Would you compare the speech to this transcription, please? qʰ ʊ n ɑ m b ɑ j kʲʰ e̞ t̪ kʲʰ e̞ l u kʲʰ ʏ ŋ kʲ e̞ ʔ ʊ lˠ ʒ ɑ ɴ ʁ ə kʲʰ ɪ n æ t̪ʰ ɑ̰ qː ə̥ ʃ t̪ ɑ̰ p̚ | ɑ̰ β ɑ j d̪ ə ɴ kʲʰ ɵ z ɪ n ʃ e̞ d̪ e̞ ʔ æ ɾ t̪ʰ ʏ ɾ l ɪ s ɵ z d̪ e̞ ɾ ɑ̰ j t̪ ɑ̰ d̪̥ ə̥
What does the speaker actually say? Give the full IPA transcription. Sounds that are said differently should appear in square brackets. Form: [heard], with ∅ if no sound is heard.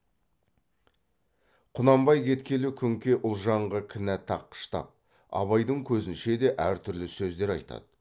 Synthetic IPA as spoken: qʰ ʊ n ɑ m b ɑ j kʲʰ e̞ t̪ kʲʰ e̞ l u kʲʰ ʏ ŋ kʲ e̞ ʔ ʊ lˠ ʒ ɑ ɴ ʁ ə kʲʰ ɪ n æ t̪ʰ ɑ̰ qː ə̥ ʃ t̪ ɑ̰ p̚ | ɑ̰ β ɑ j d̪ ə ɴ kʲʰ ɵ z ɪ n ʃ e̞ d̪ e̞ ʔ æ ɾ t̪ʰ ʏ ɾ l ɪ s ɵ z d̪ e̞ ɾ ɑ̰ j t̪ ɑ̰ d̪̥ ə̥